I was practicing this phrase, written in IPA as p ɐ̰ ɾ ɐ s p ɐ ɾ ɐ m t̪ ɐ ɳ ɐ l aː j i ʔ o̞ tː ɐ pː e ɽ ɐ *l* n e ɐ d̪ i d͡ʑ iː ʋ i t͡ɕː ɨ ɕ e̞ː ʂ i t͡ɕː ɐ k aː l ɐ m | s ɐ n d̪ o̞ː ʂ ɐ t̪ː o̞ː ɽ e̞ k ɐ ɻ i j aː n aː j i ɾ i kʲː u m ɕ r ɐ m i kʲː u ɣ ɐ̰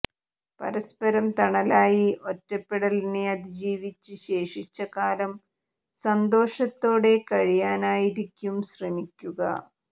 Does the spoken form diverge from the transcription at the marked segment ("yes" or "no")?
no